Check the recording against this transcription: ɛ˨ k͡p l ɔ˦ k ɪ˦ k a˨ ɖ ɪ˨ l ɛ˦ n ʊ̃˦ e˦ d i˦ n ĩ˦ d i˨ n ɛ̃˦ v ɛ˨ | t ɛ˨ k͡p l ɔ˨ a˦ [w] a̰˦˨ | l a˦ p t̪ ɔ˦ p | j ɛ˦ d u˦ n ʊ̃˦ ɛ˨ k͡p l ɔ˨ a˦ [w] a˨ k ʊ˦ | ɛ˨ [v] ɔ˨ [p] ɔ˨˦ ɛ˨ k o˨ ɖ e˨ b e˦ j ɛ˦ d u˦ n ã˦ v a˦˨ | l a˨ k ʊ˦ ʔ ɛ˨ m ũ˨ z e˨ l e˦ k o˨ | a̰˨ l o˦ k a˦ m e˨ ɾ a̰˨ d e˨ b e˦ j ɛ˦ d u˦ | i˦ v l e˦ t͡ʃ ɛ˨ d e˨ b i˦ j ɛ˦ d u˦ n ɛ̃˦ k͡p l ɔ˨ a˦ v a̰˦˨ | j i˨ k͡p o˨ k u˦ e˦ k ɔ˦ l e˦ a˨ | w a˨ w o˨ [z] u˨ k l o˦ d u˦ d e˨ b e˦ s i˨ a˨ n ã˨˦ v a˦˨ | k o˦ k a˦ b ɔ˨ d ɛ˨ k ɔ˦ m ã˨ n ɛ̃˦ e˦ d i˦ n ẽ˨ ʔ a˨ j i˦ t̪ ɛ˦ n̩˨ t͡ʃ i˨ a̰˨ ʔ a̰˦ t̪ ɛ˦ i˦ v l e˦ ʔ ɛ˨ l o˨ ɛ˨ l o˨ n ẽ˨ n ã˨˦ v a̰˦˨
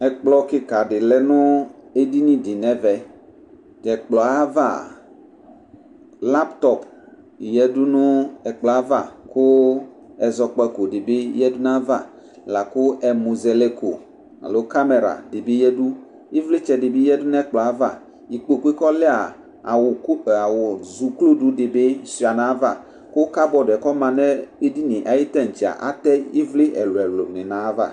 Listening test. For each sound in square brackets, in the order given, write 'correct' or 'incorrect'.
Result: incorrect: v, incorrect: v, incorrect: z, incorrect: k͡p, correct

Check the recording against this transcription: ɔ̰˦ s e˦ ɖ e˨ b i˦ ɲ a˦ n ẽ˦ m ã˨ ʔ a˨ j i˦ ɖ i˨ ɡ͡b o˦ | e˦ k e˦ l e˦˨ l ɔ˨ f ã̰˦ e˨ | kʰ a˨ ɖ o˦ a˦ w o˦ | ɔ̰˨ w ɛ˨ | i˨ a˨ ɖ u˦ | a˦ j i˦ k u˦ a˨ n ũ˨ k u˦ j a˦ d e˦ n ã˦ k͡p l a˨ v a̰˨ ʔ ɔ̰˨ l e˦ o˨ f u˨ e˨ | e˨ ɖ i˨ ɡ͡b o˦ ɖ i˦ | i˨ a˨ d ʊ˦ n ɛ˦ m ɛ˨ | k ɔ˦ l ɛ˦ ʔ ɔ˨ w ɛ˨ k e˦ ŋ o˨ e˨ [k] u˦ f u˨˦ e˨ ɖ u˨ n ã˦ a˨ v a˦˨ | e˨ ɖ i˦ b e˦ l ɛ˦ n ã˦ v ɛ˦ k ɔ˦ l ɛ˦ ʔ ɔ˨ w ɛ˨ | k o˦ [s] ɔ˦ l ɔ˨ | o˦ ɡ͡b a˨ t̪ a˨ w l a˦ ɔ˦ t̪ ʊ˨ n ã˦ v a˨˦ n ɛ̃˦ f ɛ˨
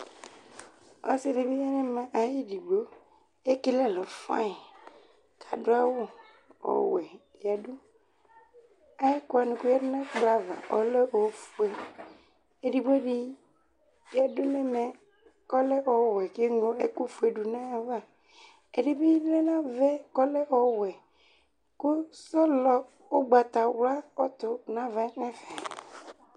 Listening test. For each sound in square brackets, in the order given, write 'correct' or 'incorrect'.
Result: correct, correct

